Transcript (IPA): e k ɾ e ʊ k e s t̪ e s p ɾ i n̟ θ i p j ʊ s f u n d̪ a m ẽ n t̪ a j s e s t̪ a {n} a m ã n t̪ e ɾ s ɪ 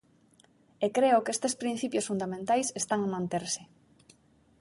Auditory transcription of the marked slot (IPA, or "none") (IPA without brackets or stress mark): ŋ